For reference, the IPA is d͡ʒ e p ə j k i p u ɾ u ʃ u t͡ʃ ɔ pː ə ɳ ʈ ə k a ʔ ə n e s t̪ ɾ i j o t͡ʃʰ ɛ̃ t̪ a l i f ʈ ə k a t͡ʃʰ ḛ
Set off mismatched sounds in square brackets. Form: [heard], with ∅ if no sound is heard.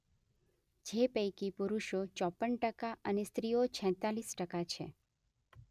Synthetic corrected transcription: d͡ʒ e p ə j k i p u ɾ u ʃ [o] t͡ʃ ɔ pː ə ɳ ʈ ə k a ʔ ə n e s t̪ ɾ i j o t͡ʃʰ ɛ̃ t̪ a l i [s] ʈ ə k a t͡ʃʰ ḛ